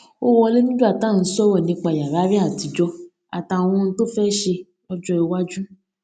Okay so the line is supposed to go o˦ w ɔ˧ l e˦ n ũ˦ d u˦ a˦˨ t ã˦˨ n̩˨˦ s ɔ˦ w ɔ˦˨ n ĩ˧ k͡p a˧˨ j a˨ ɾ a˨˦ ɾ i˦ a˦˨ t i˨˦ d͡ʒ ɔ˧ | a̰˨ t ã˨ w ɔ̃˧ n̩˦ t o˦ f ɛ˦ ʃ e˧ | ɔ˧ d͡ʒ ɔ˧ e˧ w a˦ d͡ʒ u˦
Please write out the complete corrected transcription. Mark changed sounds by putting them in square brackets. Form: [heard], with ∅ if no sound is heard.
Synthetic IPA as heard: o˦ w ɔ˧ l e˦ n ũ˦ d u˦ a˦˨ t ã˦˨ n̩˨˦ s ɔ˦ w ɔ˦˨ n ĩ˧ k͡p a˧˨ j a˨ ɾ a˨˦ ɾ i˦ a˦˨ t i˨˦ d͡ʒ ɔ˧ | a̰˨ t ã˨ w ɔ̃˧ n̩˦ t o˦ f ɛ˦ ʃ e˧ | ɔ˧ d͡ʒ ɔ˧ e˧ w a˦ d͡ʒ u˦